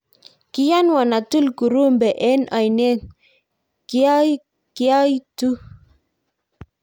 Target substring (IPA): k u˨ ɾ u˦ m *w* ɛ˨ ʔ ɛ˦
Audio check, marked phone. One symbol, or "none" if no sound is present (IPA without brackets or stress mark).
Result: b